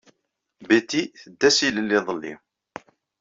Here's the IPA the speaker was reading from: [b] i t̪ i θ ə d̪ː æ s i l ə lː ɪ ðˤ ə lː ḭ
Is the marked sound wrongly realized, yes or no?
no